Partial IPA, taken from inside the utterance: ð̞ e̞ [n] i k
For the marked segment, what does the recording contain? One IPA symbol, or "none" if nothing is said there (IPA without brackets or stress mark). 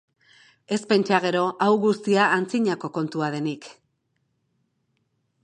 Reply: n